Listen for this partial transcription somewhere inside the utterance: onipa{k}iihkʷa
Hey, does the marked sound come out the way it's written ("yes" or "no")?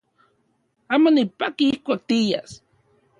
yes